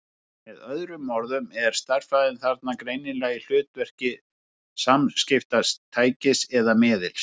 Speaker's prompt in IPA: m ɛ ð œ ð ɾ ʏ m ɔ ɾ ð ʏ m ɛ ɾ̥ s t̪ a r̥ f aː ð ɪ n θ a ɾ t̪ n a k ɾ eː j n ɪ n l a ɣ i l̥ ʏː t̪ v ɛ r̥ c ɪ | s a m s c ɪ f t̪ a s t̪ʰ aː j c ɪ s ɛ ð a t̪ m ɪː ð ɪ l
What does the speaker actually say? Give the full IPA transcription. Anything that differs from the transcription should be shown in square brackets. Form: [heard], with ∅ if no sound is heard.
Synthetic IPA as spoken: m ɛ ð œ ð ɾ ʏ m ɔ ɾ ð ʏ m ɛ ɾ̥ s t̪ a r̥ f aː ð ɪ n θ a ɾ t̪ n a k ɾ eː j n ɪ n l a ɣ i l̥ ʏː t̪ v ɛ r̥ c ɪ | s a m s c ɪ f t̪ a s t̪ʰ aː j c ɪ s ɛ ð a [∅] m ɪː ð ɪ l